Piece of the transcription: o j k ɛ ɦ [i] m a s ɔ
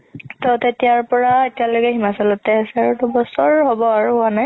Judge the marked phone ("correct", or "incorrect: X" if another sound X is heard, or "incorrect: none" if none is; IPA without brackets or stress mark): correct